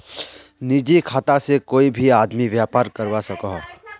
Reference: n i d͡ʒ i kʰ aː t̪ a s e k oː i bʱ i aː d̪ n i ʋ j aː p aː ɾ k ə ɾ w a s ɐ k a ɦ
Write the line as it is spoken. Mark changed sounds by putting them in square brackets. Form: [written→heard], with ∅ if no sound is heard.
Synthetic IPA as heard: n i d͡ʒ i kʰ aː t̪ a s e k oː i bʱ i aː d̪ [n→m] i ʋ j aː p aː ɾ k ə ɾ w a s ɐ k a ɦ